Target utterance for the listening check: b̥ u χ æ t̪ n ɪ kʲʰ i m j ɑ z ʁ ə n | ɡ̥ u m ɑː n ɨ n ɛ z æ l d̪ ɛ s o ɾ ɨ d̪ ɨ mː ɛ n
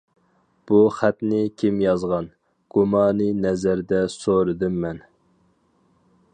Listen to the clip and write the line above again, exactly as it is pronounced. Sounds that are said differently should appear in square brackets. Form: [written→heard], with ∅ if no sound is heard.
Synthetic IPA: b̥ u χ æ t̪ n ɪ kʲʰ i m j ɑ z ʁ [ə→ɑ] n | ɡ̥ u m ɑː n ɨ n ɛ z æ [l→ɾ] d̪ ɛ s o ɾ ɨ d̪ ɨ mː ɛ n